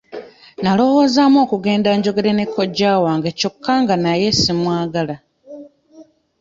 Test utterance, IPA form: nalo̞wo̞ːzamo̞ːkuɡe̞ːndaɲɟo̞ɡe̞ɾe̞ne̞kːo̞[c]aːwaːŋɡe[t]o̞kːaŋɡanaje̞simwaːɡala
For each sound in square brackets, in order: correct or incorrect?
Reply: incorrect: ɟ, incorrect: c

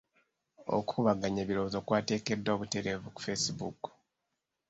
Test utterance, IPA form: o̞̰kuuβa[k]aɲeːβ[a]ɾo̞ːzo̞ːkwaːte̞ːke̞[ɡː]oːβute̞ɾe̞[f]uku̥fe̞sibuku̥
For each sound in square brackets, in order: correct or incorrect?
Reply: incorrect: ɡ, incorrect: i, incorrect: dː, incorrect: v

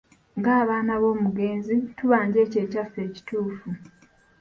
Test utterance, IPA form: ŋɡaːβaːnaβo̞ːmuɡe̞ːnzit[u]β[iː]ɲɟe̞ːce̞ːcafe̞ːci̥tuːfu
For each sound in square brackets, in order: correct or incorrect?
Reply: correct, incorrect: aː

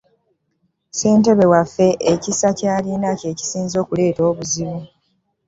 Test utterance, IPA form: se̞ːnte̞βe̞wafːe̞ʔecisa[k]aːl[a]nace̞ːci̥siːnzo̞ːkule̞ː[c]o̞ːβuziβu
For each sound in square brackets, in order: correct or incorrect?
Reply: incorrect: c, incorrect: i, incorrect: t

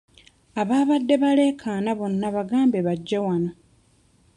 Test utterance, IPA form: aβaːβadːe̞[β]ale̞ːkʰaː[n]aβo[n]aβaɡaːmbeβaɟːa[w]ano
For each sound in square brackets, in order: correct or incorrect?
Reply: correct, correct, incorrect: nː, correct

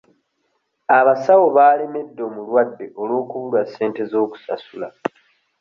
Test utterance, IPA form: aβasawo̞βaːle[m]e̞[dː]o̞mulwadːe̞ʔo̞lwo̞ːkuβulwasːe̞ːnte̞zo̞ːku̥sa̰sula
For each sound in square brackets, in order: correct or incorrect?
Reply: correct, correct

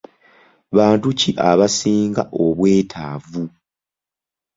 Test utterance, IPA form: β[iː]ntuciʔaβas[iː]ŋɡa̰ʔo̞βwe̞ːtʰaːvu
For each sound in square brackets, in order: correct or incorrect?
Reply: incorrect: aː, correct

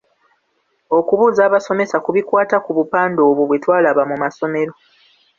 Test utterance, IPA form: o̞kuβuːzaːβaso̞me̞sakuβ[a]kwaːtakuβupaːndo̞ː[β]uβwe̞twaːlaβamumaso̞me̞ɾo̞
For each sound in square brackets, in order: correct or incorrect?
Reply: incorrect: i, correct

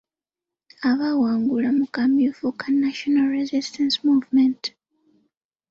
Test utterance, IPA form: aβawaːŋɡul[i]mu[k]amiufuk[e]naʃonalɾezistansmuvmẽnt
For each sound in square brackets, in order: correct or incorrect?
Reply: incorrect: a, correct, incorrect: a

